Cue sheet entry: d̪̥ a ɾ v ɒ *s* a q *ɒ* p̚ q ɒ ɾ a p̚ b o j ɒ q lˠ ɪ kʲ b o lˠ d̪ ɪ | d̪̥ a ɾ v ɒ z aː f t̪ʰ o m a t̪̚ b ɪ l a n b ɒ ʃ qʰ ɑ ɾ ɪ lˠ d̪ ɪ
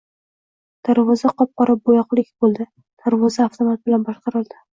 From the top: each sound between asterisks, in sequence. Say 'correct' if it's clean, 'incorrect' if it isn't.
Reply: incorrect: z, correct

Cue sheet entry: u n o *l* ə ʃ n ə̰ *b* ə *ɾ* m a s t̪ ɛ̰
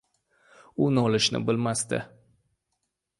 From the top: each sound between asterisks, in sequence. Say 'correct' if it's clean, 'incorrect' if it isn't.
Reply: correct, correct, incorrect: l

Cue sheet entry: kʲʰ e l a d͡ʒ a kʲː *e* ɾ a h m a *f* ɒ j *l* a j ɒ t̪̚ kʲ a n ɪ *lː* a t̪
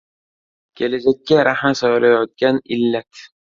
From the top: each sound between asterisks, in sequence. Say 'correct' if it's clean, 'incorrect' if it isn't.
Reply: incorrect: a, incorrect: s, correct, correct

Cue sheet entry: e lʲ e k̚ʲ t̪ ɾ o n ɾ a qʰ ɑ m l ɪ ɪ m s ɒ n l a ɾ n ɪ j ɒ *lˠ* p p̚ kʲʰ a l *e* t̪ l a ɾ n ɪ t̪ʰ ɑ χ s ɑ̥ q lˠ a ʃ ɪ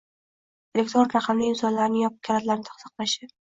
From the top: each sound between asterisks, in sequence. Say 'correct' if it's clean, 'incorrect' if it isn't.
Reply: incorrect: none, incorrect: a

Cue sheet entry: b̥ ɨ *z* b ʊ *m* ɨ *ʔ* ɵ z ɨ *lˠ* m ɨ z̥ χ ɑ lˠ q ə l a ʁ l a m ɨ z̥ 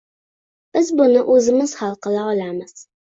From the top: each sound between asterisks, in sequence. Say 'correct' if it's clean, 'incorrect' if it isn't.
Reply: correct, incorrect: n, correct, incorrect: none

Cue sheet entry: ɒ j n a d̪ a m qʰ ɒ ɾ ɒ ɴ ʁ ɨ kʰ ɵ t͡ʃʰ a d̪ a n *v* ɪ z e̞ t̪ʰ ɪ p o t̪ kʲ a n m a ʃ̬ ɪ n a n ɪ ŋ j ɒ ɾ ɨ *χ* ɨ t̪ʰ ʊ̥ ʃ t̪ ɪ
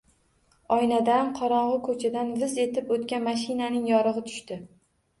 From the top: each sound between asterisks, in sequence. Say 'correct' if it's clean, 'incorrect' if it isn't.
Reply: correct, incorrect: ʁ

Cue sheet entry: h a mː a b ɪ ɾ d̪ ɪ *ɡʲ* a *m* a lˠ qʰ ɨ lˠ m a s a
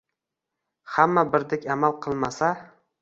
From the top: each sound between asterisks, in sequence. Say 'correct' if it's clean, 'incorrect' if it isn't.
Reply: incorrect: kʲ, correct

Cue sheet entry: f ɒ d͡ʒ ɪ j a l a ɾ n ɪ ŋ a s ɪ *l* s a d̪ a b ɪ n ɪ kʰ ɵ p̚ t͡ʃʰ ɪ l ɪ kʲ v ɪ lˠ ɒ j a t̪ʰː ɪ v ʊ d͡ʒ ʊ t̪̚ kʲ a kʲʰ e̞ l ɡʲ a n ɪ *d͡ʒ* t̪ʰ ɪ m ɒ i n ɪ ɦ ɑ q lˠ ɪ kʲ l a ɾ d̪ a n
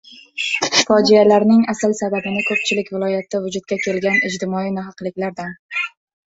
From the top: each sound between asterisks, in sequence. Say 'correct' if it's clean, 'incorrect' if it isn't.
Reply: correct, correct

